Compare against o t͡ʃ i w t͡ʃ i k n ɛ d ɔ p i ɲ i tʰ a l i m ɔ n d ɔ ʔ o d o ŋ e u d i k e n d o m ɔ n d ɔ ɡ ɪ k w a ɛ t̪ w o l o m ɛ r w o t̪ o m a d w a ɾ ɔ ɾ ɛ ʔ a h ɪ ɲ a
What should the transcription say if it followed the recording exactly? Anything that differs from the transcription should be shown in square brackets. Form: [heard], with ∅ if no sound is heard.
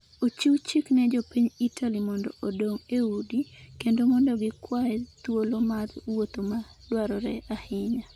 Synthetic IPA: o t͡ʃ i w t͡ʃ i k n ɛ [d͡ʒ] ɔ p i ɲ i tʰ a l i m ɔ n d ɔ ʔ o d o ŋ e u d i k e n d o m ɔ n d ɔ ɡ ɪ k w a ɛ t̪ w o l o m [a] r w o t̪ o m a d w a ɾ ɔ ɾ ɛ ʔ a h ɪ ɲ a